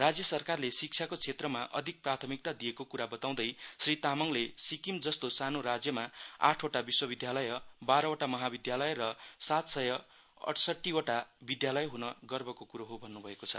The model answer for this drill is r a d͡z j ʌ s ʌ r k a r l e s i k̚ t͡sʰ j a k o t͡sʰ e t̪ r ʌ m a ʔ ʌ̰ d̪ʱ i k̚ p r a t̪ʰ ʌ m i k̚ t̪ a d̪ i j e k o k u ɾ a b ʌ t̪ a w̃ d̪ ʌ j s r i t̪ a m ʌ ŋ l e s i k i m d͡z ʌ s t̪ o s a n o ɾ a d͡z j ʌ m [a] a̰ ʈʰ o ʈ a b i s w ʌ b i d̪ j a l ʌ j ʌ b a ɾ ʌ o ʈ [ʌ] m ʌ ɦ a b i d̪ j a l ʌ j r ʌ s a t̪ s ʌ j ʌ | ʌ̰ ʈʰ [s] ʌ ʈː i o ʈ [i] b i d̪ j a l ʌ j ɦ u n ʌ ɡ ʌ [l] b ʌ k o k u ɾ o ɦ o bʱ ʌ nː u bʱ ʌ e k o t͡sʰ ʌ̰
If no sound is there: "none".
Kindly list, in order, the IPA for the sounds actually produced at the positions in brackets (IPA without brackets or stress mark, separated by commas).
a, a, s, a, r